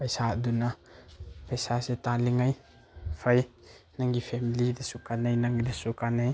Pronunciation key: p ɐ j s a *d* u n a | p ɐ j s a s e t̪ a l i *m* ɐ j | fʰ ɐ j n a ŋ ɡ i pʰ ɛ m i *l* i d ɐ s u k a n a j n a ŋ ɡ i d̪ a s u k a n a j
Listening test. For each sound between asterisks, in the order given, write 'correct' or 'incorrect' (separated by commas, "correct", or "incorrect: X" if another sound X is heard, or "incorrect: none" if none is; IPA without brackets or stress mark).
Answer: correct, incorrect: ŋ, correct